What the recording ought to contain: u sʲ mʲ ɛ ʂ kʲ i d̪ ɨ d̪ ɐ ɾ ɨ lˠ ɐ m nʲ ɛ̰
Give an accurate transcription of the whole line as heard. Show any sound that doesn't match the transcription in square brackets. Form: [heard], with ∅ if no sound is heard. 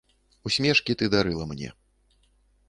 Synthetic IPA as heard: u sʲ mʲ ɛ ʂ kʲ i [t̪] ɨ d̪ [a] ɾ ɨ lˠ ɐ m nʲ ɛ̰